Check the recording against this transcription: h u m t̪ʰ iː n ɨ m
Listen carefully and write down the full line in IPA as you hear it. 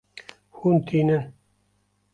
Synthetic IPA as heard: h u n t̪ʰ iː n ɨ n